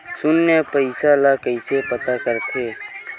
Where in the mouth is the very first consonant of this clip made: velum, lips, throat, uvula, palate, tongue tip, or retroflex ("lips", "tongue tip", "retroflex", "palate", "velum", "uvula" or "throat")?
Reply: tongue tip